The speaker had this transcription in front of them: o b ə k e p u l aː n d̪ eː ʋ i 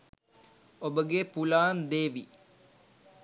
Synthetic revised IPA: o b ə ɡ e p u l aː n d̪ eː ʋ i